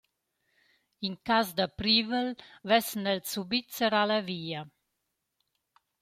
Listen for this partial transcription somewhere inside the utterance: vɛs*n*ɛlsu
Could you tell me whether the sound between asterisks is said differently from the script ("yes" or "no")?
no